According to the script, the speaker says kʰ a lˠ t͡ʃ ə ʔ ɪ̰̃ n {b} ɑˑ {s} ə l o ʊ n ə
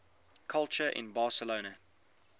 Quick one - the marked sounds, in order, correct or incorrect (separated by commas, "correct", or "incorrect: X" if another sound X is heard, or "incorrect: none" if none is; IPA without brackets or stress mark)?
correct, correct